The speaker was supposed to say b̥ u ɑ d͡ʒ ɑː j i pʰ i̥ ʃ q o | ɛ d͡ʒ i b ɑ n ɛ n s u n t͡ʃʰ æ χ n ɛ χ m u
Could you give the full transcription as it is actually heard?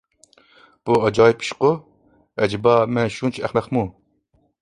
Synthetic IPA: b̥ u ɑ d͡ʒ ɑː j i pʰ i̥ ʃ q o | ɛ d͡ʒ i b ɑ m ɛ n ʃ u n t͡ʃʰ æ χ n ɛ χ m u